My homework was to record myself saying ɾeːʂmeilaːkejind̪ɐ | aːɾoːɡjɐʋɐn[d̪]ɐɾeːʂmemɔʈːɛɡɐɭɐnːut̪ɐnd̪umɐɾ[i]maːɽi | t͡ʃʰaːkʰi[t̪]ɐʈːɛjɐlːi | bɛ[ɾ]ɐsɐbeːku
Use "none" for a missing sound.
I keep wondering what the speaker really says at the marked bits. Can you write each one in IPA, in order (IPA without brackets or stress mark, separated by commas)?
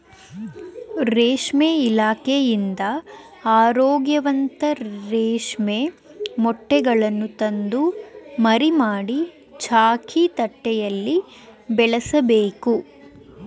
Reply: t̪, i, t̪, ɭ